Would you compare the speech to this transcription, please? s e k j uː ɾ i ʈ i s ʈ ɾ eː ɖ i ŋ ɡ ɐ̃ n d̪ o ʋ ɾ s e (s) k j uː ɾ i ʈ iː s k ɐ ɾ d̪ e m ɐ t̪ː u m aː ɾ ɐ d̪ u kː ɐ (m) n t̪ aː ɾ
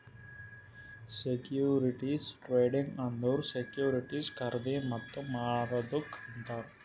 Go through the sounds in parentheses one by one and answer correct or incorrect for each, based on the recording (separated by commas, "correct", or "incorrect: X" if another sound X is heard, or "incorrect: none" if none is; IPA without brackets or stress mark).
incorrect: none, incorrect: none